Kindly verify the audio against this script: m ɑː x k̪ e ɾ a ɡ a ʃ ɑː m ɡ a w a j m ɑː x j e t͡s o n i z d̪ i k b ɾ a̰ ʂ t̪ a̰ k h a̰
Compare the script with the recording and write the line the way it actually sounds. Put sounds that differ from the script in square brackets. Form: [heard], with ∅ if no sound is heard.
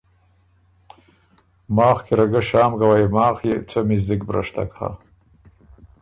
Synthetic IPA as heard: m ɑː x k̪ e ɾ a ɡ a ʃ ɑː m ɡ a w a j m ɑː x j e t͡s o [m] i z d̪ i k b ɾ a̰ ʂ t̪ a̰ k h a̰

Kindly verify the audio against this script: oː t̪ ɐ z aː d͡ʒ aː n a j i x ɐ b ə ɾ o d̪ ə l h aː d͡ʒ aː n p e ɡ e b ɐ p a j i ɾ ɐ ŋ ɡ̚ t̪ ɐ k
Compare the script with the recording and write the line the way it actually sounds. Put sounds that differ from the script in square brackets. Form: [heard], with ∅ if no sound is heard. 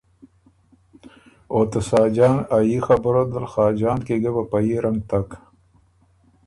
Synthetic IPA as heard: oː t̪ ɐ [s] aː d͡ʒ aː n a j i x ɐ b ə ɾ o d̪ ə l [x] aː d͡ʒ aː n [k] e ɡ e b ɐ p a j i ɾ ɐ ŋ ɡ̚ t̪ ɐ k

